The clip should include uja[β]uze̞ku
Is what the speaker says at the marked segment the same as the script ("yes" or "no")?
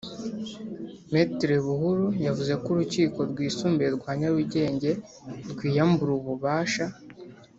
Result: no